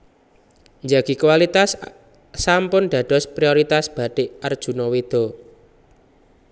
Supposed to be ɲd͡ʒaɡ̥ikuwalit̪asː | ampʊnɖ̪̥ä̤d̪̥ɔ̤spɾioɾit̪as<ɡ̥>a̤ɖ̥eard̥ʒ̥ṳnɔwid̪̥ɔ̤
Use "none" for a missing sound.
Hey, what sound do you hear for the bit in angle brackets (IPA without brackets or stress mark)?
b̥